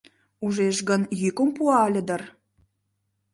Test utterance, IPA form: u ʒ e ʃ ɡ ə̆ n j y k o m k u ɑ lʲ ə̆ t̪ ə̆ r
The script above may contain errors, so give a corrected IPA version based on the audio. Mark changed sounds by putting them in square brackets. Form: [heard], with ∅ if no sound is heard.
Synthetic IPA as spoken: u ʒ e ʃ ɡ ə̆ n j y k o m [p] u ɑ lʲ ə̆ [d̪] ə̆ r